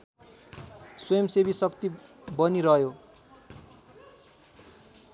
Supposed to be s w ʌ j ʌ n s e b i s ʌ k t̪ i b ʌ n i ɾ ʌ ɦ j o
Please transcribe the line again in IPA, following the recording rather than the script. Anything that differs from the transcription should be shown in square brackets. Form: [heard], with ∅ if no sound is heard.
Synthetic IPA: s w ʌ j ʌ [m] s e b i s ʌ k t̪ i b ʌ n i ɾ ʌ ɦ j o